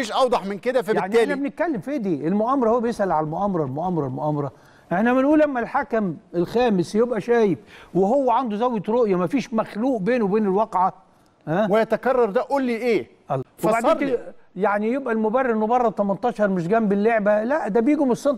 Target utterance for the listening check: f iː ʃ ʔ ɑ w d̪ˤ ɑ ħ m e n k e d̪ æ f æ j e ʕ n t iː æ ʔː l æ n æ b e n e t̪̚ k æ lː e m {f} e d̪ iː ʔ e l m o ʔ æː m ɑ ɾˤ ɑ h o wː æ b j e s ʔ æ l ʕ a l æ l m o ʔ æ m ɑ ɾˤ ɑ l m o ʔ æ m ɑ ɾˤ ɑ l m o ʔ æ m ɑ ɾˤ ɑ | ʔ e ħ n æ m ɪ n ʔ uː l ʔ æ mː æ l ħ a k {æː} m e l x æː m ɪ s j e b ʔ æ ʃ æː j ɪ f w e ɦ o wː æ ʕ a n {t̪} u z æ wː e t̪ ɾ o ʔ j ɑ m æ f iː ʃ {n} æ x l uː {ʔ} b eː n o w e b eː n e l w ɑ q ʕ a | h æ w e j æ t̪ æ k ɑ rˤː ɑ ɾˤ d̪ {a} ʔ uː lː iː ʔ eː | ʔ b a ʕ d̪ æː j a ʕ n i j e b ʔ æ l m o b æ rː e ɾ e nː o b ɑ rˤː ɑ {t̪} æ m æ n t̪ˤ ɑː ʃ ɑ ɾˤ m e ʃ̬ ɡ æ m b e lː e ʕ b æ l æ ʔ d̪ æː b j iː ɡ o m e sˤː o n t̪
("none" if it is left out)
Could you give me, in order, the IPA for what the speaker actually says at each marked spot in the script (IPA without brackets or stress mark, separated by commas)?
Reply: f, æ, d̪, m, ʔ, æ, t̪